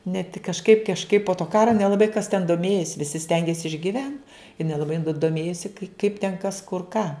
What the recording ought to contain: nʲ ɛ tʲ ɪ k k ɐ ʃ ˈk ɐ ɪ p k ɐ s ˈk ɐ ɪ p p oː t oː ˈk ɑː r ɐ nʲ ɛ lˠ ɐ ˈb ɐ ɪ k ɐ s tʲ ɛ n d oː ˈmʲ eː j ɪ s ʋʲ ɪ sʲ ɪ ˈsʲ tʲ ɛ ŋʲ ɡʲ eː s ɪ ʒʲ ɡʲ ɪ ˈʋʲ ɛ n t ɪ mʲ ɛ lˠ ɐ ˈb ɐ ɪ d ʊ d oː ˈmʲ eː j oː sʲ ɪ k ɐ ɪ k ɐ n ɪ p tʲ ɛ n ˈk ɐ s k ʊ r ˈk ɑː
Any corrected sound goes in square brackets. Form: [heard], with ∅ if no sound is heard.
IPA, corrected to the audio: nʲ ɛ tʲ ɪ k k ɐ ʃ ˈk ɐ ɪ p k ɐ [ʃ] ˈk ɐ ɪ p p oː t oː ˈk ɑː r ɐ nʲ ɛ lˠ ɐ ˈb ɐ ɪ k ɐ s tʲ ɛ n d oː ˈmʲ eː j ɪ s ʋʲ ɪ sʲ ɪ ˈsʲ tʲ ɛ ŋʲ ɡʲ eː s ɪ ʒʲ ɡʲ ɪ ˈʋʲ ɛ n t ɪ [nʲ] ɛ lˠ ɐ ˈb ɐ ɪ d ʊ d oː ˈmʲ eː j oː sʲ ɪ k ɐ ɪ k ɐ [∅] ɪ p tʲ ɛ n ˈk ɐ s k ʊ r ˈk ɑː